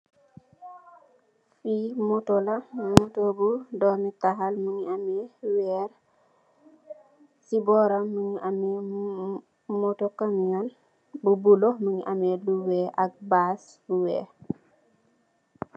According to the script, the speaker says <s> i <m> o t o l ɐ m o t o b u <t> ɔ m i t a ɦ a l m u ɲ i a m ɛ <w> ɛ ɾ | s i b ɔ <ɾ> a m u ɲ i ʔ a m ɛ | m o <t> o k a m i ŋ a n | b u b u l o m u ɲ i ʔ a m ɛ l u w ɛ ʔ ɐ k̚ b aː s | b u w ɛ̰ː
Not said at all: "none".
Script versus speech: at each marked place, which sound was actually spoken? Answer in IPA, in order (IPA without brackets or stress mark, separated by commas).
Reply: f, m, d, w, ɾ, t